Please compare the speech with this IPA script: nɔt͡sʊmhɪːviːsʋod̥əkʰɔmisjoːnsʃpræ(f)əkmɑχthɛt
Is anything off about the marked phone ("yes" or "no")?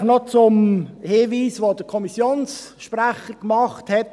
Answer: yes